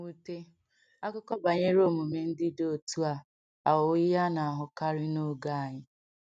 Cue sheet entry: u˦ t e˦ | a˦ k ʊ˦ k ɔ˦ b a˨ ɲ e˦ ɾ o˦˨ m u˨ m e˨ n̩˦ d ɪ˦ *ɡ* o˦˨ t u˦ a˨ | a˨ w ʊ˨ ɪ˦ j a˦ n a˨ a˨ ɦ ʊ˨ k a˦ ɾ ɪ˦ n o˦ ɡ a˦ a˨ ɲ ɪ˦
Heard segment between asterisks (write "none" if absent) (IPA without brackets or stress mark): d